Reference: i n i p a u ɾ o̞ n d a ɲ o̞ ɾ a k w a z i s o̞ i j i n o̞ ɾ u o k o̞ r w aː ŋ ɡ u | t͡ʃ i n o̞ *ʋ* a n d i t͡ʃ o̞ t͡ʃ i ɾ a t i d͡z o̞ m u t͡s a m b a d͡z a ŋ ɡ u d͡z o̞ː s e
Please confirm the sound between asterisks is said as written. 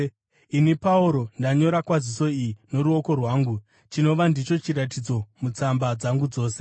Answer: yes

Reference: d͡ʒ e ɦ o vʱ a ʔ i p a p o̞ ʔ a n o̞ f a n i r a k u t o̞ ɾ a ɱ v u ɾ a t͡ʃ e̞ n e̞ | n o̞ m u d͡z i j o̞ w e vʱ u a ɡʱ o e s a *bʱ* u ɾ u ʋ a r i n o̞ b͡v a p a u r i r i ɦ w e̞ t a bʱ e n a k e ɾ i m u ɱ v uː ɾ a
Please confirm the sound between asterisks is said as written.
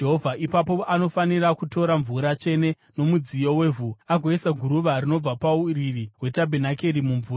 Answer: no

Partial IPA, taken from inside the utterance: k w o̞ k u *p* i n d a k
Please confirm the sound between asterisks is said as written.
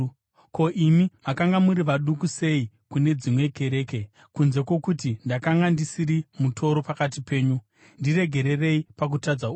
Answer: no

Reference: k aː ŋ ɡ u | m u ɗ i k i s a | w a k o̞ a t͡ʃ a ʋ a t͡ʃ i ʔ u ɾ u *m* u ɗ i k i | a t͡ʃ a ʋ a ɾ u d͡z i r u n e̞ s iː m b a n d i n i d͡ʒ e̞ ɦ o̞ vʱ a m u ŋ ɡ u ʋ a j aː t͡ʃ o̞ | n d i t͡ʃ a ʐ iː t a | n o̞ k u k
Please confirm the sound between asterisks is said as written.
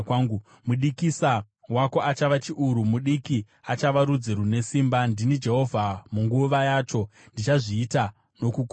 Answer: yes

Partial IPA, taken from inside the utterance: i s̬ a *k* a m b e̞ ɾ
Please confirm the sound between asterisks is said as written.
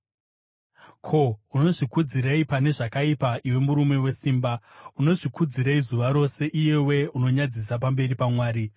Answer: no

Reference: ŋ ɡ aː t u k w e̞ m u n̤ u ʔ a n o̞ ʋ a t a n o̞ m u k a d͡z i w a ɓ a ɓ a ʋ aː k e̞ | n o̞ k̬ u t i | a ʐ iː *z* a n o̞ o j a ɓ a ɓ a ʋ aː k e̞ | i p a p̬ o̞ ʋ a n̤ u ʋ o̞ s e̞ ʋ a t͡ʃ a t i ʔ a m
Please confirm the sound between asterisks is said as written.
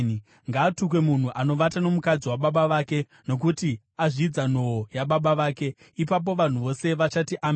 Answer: no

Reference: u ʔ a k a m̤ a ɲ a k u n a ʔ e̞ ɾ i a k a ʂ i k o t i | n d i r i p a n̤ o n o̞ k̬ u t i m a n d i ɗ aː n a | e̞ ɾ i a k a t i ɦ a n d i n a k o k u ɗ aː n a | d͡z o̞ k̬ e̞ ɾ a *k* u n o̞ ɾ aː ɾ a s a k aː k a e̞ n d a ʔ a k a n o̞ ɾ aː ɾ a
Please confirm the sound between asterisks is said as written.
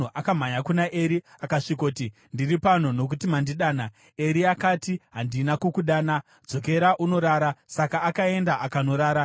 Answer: no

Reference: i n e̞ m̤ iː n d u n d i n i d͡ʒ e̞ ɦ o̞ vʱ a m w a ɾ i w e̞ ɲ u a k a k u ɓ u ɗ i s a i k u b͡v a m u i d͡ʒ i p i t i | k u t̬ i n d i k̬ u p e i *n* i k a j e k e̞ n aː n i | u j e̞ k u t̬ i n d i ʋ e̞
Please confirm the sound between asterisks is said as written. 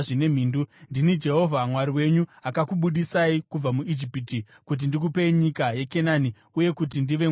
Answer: no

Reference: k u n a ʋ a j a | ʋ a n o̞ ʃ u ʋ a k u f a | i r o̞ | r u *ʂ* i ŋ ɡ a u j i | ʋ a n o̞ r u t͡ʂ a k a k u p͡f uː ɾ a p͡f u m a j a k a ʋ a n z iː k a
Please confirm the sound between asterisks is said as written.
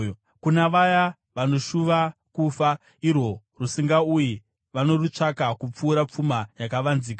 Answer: no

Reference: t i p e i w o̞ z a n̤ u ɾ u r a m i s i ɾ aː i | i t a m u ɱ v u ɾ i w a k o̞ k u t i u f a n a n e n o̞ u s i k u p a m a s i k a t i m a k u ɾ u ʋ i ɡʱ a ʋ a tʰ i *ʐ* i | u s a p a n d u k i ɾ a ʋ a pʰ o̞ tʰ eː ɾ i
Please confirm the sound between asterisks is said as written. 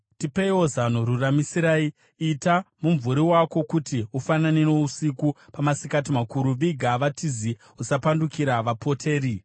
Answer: no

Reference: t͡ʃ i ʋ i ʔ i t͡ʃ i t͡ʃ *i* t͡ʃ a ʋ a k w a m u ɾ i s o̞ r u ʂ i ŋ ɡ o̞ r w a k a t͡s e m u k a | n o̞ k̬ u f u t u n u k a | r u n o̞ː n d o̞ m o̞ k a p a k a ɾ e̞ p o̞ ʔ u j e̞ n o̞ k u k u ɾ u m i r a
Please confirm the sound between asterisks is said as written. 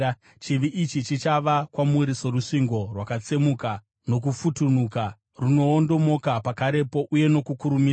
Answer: yes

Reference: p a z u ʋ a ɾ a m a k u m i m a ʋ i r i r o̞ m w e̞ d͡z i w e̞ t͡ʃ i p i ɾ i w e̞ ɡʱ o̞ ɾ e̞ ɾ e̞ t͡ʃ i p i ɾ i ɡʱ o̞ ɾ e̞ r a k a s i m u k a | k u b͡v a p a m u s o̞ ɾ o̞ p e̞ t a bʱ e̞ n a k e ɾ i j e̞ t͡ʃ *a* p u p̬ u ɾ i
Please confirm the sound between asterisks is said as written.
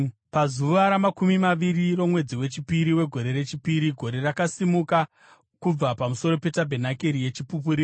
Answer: no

